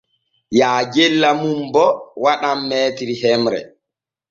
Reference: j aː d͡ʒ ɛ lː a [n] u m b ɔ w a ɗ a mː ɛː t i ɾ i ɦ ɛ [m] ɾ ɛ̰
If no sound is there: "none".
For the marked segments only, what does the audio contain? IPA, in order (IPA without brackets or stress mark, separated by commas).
m, m